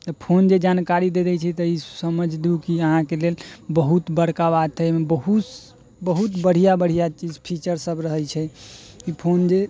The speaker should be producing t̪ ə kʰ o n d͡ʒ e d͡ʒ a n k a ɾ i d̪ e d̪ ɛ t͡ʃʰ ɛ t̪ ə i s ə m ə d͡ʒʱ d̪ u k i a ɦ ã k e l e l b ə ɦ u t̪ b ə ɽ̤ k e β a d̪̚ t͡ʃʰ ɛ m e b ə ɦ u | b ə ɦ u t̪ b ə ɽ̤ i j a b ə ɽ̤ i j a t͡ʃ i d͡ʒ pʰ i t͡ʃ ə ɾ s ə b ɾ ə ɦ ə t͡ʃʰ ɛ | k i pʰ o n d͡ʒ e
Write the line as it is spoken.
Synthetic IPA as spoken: t̪ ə pʰ o n d͡ʒ e d͡ʒ a n k a ɾ i d̪ e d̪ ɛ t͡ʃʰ ɛ t̪ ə i s ə m ə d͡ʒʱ d̪ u k i ə ɦ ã k e l e l b ə ɦ u t̪ b ə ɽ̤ k a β a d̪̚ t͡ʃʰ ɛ m e b ə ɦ u | b ə ɦ u t̪ b ə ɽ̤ i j a b ə ɽ̤ i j a t͡ʃ i d͡ʒ pʰ i t͡ʃ ə ɾ s ə b ɾ ə ɦ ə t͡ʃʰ ɛ | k i pʰ o n d͡ʒ e